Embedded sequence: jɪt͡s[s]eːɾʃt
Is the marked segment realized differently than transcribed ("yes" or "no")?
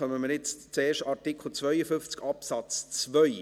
yes